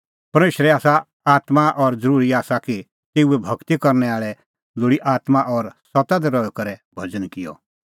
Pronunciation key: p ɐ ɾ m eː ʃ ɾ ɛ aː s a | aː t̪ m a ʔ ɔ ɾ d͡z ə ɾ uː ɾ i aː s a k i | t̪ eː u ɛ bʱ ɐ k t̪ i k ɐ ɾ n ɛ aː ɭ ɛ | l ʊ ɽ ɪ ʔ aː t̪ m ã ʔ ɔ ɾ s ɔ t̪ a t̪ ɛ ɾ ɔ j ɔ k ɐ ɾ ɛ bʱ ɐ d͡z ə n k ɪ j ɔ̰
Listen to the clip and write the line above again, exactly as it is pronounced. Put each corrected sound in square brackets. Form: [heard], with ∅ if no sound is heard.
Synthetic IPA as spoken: p ɐ ɾ m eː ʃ ɾ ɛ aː s a | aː t̪ m a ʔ ɔ ɾ d͡z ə ɾ uː ɾ i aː s a k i | t̪ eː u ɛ bʱ ɐ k t̪ i k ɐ ɾ n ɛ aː ɭ ɛ | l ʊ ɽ [i] ʔ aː t̪ m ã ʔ ɔ ɾ s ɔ t̪ a [d̪] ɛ ɾ ɔ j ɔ k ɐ ɾ ɛ bʱ ɐ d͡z ə n k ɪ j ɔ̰